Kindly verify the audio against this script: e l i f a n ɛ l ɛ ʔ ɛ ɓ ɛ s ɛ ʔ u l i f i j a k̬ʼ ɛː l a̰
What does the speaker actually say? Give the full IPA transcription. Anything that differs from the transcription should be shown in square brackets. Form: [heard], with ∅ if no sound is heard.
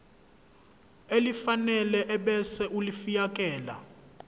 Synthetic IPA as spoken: e l i f a n ɛ l ɛ ʔ ɛ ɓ ɛ s ɛ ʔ u l i f i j a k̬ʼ ɛː l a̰